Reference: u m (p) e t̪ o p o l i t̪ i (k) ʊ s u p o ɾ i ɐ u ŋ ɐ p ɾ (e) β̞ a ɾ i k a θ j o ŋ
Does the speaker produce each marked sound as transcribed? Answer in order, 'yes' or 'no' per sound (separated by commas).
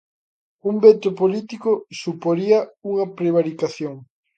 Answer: no, yes, yes